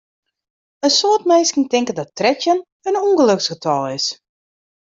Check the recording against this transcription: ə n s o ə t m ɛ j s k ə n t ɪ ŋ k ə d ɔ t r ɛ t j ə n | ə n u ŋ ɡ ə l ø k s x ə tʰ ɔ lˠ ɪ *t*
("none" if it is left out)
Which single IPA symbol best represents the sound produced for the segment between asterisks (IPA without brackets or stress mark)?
s